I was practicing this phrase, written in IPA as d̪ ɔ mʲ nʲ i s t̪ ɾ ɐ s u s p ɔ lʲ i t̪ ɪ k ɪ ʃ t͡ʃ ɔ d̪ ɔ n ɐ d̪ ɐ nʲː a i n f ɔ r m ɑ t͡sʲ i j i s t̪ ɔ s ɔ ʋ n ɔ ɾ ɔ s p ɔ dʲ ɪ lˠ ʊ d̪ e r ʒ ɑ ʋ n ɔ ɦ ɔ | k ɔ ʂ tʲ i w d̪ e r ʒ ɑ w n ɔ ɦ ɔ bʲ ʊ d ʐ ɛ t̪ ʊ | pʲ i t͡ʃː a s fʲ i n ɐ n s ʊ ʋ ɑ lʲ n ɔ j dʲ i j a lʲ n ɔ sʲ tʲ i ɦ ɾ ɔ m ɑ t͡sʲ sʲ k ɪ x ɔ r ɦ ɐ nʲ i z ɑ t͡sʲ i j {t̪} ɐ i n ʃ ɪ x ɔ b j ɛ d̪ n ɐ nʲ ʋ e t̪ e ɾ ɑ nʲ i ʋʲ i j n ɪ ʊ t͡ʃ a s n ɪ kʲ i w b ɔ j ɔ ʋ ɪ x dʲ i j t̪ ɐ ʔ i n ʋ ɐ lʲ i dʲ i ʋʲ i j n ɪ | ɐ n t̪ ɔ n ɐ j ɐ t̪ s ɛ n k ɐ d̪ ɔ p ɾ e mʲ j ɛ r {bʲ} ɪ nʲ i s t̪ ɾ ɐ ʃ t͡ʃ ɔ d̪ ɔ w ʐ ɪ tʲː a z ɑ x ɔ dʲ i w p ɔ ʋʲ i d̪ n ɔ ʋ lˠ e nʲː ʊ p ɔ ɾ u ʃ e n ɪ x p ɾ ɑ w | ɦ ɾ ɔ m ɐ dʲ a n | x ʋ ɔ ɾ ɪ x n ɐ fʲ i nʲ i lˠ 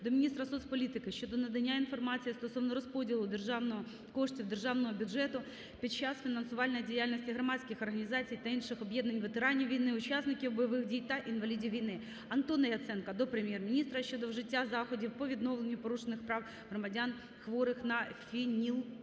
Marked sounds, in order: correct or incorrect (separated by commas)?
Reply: correct, incorrect